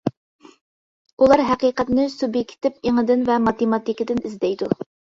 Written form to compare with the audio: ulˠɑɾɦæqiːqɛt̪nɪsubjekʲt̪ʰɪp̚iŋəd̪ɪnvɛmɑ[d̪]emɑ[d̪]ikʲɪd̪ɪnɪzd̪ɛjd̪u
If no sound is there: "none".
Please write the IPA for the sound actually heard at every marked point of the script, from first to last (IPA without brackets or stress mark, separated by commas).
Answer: t̪, t̪